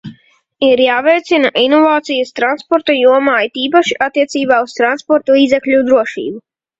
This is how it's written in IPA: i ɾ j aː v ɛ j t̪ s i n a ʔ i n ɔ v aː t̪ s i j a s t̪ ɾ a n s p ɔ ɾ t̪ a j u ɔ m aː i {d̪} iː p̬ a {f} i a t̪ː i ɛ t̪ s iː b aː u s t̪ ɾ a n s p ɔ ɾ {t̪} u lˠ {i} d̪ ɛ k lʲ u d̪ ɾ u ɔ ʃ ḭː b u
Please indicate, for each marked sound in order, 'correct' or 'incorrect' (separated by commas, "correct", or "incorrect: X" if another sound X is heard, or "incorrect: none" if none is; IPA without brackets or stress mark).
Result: incorrect: t̪, incorrect: ʃ, correct, incorrect: iː